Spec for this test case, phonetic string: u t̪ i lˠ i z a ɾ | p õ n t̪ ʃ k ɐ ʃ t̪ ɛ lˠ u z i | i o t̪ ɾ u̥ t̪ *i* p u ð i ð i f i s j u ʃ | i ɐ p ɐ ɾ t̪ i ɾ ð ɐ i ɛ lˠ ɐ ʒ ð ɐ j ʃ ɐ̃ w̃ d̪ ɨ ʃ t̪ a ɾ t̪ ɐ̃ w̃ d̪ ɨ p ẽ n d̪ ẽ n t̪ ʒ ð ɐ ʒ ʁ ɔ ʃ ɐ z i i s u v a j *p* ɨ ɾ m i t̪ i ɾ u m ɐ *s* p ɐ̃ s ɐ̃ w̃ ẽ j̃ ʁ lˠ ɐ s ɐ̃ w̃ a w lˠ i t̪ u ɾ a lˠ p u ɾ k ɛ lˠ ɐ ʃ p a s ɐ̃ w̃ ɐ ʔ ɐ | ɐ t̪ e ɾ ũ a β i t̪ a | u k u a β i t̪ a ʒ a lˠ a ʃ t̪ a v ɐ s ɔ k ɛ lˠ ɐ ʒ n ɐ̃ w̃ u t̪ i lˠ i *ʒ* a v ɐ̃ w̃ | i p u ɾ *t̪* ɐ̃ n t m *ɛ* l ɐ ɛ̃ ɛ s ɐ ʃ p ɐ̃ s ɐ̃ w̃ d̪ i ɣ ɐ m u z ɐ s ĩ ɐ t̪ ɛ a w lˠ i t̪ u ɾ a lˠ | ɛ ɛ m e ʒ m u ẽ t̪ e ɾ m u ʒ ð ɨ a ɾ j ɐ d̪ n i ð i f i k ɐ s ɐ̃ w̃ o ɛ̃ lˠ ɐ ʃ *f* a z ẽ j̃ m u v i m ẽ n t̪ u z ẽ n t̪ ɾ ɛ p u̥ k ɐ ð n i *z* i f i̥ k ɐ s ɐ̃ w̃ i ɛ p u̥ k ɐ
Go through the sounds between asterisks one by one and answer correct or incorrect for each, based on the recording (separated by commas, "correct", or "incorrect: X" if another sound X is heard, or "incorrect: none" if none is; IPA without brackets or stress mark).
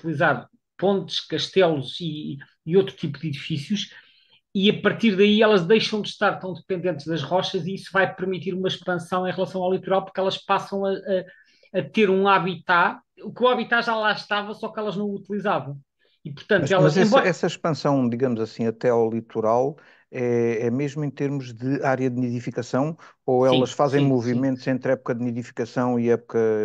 correct, correct, incorrect: ʃ, incorrect: z, correct, correct, correct, incorrect: ð